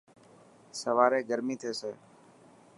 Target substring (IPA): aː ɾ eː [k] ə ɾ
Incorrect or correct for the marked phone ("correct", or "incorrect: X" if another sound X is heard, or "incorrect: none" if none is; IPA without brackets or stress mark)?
incorrect: ɡ